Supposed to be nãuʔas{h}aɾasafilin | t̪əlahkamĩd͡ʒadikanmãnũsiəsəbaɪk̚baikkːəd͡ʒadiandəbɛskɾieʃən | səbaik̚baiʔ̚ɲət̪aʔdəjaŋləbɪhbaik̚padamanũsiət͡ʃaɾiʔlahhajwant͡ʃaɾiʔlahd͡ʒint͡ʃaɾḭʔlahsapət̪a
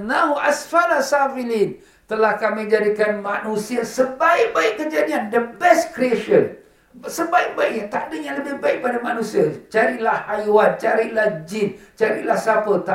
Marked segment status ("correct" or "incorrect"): incorrect